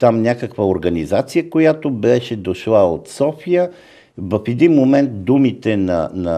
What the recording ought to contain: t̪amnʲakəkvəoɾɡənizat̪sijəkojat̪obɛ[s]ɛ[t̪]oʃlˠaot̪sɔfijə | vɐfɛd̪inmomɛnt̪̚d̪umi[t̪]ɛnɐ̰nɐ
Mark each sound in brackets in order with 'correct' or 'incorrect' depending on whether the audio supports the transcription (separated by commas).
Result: incorrect, incorrect, correct